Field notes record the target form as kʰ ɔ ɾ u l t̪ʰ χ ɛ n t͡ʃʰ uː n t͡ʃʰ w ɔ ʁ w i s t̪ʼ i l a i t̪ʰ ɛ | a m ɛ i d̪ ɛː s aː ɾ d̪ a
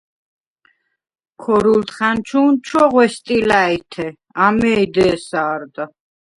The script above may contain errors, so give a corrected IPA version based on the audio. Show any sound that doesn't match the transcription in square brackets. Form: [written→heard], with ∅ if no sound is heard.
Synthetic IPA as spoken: kʰ ɔ ɾ u l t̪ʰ χ [ɛ→a] n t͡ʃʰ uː n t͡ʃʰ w ɔ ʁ w [i→ɛ] s t̪ʼ i l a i t̪ʰ ɛ | a m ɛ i d̪ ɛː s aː ɾ d̪ a